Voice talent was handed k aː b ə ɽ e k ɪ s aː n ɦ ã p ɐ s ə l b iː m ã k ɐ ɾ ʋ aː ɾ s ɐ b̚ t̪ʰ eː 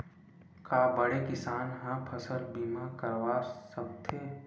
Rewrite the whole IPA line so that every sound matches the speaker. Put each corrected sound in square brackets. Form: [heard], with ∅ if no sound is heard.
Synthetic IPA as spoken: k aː b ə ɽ e k ɪ s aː n ɦ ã [pʰ] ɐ s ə l b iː m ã k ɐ ɾ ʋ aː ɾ s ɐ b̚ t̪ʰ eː